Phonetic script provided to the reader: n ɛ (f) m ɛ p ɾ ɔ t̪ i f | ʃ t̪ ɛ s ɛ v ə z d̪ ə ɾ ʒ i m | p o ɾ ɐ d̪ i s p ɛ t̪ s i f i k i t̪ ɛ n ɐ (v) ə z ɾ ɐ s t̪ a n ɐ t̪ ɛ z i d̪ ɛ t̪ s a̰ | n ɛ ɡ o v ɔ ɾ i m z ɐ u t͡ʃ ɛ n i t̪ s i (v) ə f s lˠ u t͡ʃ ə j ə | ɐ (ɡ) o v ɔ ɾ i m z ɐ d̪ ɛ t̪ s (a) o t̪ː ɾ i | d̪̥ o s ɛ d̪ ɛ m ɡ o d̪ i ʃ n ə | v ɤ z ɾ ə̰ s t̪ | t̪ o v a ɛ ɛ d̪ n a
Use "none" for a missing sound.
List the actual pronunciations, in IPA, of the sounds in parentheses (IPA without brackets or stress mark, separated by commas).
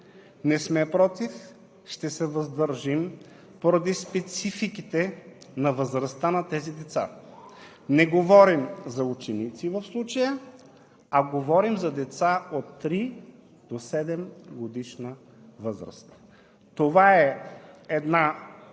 s, v, v, ɡ, a